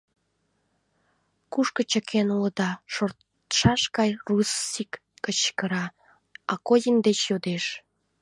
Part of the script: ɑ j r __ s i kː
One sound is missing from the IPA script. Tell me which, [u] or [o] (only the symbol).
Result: u